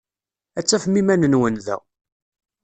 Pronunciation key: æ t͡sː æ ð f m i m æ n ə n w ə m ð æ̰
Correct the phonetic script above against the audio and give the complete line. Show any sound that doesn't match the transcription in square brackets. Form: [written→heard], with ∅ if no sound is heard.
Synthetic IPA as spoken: æ t͡sː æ [ð→∅] f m i m æ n ə n w ə [m→n] ð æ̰